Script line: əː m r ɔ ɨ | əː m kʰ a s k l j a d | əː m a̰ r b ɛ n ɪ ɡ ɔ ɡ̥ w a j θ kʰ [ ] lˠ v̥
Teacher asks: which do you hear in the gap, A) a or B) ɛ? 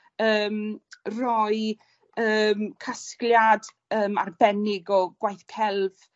B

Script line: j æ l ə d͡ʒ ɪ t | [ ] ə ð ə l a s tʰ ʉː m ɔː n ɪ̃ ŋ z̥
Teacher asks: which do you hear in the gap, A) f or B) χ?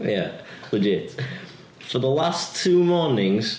A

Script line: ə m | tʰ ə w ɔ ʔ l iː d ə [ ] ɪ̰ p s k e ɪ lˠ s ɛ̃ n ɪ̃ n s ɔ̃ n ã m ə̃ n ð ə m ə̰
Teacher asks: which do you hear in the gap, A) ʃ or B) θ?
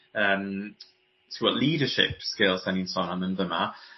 A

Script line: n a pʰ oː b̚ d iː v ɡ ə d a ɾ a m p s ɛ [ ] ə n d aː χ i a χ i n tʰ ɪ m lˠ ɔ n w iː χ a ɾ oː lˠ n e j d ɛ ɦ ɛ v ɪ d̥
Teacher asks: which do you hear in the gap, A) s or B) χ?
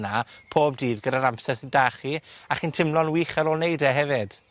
A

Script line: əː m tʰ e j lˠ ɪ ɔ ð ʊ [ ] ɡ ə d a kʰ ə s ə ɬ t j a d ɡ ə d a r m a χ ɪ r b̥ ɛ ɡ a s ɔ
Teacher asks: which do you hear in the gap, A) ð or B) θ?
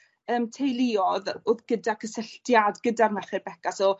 A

